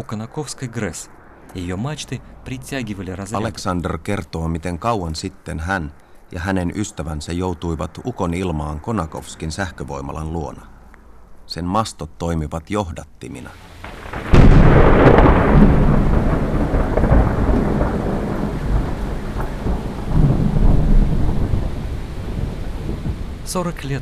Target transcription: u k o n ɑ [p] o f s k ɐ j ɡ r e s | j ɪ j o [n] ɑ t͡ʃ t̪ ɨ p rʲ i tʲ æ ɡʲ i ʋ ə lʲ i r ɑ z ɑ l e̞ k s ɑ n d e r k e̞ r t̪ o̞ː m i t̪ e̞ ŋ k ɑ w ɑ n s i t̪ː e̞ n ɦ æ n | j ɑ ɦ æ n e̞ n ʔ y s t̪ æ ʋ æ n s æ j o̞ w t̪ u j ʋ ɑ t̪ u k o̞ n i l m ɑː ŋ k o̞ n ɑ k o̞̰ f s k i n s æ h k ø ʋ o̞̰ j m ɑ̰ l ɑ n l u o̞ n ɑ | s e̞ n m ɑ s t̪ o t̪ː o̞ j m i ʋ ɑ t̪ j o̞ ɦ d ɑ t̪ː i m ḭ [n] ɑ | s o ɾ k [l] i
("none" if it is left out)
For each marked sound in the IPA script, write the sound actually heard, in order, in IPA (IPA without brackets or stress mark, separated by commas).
k, m, n, l